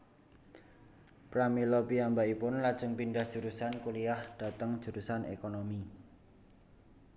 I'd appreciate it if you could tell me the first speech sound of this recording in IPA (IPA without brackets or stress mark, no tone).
p